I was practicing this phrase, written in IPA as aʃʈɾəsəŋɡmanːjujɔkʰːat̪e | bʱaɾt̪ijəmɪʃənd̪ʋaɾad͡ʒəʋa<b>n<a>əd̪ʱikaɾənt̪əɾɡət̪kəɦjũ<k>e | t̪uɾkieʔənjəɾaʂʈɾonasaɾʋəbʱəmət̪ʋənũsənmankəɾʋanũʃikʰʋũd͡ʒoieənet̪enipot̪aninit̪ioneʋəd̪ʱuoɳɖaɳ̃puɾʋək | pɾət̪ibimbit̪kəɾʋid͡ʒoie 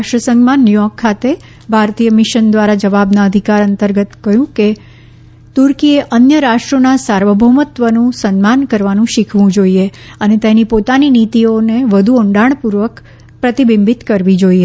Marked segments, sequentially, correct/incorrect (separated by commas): correct, correct, correct